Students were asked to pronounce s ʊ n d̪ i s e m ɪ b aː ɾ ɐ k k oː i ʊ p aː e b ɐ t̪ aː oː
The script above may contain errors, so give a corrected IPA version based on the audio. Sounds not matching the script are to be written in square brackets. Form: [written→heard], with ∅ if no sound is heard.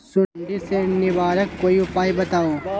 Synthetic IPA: s ʊ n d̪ i s e [m→n] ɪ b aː ɾ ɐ k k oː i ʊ p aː [e→i] b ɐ t̪ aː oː